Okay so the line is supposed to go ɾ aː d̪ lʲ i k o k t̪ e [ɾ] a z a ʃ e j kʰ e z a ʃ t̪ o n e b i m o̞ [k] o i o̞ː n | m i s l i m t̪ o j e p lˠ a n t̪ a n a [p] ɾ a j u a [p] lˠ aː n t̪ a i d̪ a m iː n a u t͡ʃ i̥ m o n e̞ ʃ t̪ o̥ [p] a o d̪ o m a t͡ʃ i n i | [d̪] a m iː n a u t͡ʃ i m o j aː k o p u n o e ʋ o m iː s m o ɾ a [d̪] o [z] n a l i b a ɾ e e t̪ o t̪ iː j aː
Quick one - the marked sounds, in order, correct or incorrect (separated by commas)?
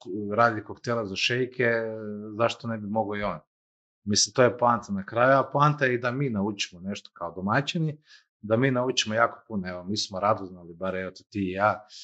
incorrect, incorrect, incorrect, correct, incorrect, correct, correct, correct